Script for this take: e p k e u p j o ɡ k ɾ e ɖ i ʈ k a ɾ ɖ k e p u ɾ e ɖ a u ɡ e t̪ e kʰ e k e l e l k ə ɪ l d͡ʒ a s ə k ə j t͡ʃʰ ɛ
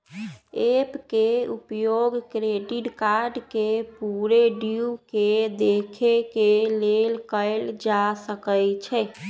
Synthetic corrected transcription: e p k e u p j o ɡ k ɾ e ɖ i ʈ k a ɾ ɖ k e p u ɾ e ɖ i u k e d̪ e kʰ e k e l e l k ə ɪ l d͡ʒ a s ə k ə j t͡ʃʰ ɛ